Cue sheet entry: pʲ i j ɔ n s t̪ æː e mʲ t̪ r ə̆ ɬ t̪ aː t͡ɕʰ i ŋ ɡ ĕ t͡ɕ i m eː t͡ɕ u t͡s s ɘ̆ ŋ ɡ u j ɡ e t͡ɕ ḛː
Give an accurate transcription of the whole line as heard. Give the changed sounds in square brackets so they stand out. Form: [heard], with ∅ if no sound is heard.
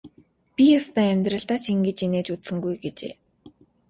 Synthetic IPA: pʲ i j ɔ [∅] s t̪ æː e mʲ t̪ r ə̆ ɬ t̪ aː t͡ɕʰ i ŋ ɡ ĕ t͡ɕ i [n] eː t͡ɕ u t͡s s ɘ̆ ŋ ɡ u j ɡ e t͡ɕ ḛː